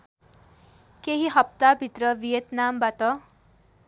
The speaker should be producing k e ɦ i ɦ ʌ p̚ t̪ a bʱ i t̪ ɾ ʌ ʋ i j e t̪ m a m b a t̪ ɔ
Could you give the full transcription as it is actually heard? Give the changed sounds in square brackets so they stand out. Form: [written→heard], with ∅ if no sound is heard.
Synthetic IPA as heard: k e ɦ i ɦ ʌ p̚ t̪ a bʱ i t̪ ɾ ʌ ʋ i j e t̪ [m→n] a m b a t̪ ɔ